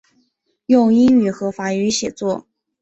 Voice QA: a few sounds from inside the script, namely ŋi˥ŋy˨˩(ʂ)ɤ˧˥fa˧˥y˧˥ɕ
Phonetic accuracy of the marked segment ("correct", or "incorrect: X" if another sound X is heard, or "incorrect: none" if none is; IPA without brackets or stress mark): incorrect: x